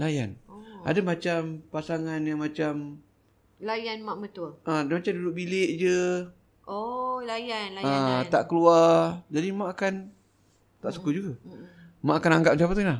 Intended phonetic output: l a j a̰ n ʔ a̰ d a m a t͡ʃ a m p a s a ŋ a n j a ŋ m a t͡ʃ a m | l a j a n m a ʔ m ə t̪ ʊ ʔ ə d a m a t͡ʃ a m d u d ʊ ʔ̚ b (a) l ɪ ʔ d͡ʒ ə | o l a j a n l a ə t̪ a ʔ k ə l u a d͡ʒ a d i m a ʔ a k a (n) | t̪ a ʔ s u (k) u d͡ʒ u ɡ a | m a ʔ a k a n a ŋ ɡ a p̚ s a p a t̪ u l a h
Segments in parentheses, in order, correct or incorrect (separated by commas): incorrect, correct, correct